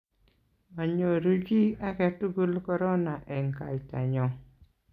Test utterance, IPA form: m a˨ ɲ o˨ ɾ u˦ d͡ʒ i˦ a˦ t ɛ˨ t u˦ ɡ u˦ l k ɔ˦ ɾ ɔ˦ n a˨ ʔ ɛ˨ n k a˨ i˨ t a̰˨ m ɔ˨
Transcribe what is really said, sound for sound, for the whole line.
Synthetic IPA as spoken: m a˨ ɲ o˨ ɾ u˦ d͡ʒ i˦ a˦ k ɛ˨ t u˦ ɡ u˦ l k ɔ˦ ɾ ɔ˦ n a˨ ʔ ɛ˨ ŋ k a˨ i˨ t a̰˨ ɲ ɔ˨